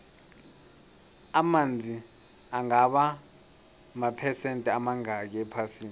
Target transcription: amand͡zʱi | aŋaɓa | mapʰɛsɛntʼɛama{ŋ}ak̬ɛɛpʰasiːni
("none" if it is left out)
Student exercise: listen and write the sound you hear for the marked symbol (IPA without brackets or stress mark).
ŋ